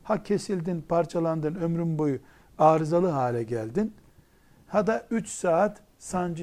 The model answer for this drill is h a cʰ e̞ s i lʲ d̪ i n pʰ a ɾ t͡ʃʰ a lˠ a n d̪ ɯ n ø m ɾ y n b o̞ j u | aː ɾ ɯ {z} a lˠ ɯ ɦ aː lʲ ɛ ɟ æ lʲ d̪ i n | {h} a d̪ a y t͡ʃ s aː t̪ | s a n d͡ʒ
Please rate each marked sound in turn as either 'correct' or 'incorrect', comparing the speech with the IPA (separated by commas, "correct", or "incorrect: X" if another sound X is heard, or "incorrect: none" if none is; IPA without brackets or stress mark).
correct, correct